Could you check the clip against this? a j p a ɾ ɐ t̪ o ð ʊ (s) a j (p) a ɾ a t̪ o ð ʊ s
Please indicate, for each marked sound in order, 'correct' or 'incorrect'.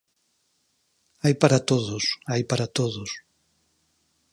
correct, correct

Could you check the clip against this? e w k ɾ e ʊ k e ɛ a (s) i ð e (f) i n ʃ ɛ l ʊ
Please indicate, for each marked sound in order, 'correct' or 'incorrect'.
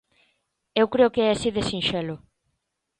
correct, incorrect

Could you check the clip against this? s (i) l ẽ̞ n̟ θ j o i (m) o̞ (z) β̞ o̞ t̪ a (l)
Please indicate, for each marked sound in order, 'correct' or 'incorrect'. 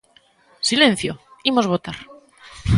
correct, correct, correct, incorrect

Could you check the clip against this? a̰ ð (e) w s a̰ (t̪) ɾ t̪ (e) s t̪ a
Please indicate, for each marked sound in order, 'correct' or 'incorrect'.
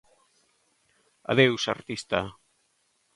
correct, incorrect, incorrect

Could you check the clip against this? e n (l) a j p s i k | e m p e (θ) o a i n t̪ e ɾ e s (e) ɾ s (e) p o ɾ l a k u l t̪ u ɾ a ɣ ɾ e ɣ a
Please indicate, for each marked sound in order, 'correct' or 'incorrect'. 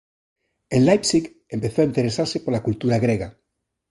correct, correct, incorrect, correct

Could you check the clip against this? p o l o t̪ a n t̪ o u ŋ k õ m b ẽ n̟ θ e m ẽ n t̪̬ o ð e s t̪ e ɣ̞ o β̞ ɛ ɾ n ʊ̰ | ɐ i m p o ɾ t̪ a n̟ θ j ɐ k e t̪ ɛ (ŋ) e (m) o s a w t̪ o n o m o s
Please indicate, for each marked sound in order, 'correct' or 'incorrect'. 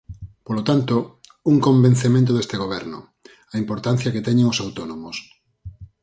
incorrect, incorrect

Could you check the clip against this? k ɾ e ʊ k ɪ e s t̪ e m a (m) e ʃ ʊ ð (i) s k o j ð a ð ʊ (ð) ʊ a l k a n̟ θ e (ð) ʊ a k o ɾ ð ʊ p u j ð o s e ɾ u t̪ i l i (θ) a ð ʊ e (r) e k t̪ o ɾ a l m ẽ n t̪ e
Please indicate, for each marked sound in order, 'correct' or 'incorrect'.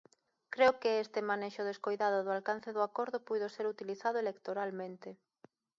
incorrect, incorrect, correct, correct, correct, incorrect

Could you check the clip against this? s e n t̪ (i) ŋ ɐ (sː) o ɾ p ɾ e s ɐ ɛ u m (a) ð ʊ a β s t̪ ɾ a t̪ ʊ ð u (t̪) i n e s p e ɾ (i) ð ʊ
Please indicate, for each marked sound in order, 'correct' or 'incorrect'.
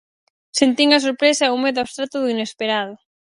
correct, incorrect, incorrect, incorrect, incorrect

